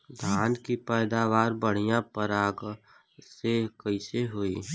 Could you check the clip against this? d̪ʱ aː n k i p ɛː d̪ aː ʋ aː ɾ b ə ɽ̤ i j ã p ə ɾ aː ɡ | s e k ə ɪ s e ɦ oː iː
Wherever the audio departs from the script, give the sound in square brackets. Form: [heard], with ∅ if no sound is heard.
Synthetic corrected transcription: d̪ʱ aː n k i p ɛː d̪ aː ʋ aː ɾ b ə ɽ̤ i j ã p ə ɾ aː ɡ | s e k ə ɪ s e ɦ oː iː